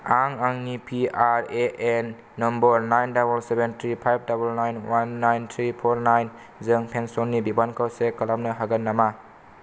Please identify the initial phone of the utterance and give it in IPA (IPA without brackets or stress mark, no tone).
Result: a